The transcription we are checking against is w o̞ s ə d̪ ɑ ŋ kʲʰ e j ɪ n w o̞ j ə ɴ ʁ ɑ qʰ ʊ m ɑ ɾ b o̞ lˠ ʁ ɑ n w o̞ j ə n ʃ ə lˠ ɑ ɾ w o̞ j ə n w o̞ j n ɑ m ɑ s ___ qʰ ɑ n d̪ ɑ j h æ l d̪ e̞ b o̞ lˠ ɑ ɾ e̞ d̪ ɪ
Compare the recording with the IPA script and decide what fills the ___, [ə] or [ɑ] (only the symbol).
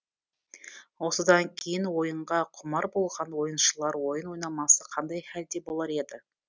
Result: ə